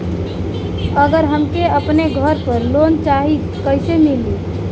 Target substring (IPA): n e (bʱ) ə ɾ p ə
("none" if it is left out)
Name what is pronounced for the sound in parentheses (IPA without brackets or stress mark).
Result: ɡʱ